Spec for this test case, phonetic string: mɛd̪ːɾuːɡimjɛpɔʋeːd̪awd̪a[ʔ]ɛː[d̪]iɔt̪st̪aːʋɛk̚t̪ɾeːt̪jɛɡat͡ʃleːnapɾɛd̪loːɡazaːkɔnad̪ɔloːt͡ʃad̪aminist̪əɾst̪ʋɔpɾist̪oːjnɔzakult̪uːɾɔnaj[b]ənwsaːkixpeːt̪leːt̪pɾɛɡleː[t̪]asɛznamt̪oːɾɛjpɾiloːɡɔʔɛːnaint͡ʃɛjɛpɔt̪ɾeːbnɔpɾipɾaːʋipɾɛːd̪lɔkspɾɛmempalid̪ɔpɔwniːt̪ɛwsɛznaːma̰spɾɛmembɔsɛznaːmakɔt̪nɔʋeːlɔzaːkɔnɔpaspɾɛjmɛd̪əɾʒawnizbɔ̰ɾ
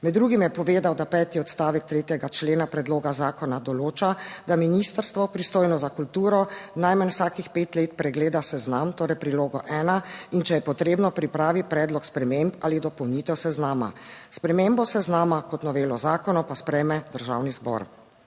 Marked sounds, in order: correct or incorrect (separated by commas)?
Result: incorrect, incorrect, incorrect, incorrect